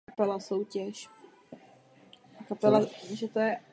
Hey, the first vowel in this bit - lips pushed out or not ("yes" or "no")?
no